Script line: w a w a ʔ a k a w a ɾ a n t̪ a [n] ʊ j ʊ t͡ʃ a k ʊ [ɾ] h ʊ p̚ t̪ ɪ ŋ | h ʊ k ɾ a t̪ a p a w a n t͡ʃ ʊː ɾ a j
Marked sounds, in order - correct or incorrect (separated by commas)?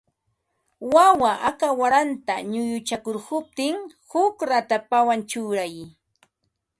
incorrect, correct